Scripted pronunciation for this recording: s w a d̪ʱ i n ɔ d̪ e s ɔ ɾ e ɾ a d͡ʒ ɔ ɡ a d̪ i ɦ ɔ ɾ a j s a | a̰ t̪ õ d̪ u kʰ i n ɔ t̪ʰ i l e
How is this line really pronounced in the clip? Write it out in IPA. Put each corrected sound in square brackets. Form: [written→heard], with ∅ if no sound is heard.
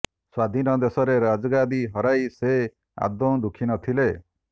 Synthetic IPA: s w a d̪ʱ i n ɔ d̪ e s ɔ ɾ e ɾ a d͡ʒ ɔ ɡ a d̪ i ɦ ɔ ɾ a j s [a→e] | a̰ [t̪→d̪] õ d̪ u kʰ i n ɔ t̪ʰ i l e